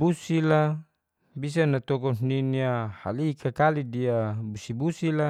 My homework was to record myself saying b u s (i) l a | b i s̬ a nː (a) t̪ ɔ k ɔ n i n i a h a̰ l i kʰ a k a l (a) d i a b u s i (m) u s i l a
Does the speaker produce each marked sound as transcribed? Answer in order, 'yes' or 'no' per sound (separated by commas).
yes, yes, no, no